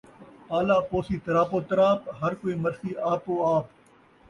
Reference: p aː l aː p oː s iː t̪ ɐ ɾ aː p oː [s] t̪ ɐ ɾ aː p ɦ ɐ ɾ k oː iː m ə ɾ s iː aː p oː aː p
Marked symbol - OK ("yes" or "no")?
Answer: no